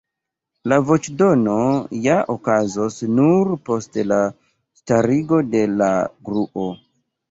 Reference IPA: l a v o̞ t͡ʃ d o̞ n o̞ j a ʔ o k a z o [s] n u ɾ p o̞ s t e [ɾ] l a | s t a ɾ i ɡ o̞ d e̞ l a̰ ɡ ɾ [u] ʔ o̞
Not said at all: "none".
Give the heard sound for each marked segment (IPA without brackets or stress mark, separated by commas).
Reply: s, none, u